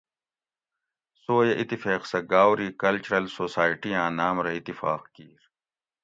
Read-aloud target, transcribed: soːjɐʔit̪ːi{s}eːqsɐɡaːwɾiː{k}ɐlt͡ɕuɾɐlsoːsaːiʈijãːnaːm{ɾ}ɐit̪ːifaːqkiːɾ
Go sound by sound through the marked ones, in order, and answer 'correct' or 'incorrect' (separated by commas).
incorrect, correct, correct